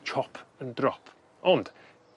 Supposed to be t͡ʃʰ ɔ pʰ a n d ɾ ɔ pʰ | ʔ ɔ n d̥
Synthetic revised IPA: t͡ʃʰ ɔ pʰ ə n d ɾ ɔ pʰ | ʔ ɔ n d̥